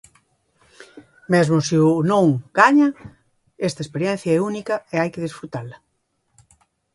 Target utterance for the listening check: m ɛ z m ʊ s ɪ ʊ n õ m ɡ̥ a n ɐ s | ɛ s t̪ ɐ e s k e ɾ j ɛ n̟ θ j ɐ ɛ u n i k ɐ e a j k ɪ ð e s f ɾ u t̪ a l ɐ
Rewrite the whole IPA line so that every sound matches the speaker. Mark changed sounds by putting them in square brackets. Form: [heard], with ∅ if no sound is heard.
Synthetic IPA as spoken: m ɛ z m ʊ s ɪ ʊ n õ [ŋ] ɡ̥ a [ɲ] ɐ [∅] | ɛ s t̪ ɐ e s [p] e ɾ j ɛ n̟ θ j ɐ ɛ u n i k ɐ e a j k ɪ ð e s f ɾ u t̪ a l ɐ